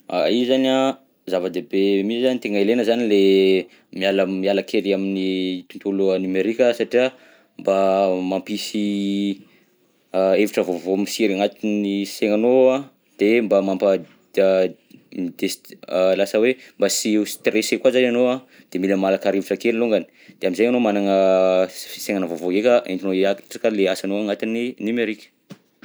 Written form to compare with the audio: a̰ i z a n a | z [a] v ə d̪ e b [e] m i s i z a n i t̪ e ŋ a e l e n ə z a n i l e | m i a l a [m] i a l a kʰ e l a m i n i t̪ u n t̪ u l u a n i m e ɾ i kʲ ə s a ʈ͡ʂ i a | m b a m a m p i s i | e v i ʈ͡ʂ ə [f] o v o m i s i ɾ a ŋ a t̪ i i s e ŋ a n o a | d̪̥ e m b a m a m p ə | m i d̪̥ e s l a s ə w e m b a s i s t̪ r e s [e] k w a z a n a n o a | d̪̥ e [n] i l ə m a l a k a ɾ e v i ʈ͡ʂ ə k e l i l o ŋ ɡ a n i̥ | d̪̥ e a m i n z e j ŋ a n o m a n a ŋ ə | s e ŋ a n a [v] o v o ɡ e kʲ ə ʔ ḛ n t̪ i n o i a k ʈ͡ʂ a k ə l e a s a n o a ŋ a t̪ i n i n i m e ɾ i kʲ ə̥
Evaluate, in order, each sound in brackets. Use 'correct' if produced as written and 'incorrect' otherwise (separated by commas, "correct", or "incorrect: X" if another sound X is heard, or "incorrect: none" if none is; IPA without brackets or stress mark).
correct, correct, correct, incorrect: v, correct, incorrect: m, correct